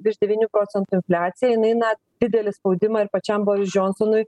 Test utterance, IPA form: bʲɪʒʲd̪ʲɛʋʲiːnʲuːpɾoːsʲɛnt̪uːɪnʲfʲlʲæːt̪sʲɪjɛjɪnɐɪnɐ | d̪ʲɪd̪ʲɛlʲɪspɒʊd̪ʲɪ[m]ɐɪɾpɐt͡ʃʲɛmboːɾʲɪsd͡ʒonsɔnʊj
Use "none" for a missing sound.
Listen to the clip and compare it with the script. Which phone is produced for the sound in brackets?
m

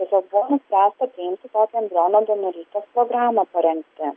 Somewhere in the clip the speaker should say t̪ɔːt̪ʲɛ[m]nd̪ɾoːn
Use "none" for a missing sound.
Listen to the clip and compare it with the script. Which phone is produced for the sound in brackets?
none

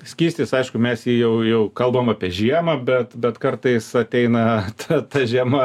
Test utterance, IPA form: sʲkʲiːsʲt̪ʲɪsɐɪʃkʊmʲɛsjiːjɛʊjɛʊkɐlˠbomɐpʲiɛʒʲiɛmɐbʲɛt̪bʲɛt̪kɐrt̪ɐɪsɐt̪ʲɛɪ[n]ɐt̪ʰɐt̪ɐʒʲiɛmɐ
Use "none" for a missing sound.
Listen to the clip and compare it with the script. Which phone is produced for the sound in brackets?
n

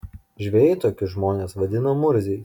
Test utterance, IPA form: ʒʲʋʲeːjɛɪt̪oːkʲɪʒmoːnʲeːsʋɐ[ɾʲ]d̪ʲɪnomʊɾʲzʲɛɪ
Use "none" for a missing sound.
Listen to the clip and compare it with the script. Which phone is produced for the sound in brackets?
none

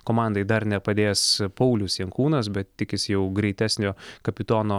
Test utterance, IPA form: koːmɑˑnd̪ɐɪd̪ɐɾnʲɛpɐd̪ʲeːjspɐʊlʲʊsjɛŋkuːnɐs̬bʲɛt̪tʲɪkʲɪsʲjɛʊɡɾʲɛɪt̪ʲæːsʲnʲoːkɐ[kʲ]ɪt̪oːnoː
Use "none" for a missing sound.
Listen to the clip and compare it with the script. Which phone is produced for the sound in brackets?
pʲ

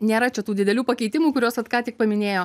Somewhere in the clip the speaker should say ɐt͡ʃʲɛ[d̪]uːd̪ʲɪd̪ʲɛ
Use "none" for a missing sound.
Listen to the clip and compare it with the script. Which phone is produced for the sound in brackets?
t̪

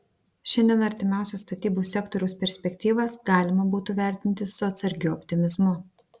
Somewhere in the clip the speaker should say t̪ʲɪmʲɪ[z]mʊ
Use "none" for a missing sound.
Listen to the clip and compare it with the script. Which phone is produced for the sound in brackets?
z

